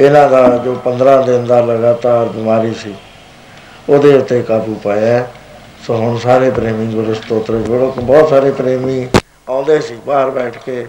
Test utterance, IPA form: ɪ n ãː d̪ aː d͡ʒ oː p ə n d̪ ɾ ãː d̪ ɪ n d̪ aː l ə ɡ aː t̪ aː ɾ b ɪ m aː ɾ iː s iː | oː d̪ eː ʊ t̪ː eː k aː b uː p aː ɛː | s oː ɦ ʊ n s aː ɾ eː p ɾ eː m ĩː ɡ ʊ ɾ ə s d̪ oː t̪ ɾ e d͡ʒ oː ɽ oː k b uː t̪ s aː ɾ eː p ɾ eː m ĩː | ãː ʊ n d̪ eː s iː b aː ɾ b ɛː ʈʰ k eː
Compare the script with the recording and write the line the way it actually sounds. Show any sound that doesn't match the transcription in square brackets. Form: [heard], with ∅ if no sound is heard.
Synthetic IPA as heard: ɪ n ãː d̪ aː d͡ʒ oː p ə n d̪ ɾ ãː d̪ ɪ n d̪ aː l ə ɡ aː t̪ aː ɾ b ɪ m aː ɾ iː s iː | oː d̪ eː ʊ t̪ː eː k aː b uː p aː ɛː | s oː ɦ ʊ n s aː ɾ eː p ɾ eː m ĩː ɡ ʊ ɾ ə s [t̪] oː t̪ ɾ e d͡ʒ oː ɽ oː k b [ɔː] t̪ s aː ɾ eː p ɾ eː m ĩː | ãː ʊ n d̪ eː s iː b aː ɾ b ɛː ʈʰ k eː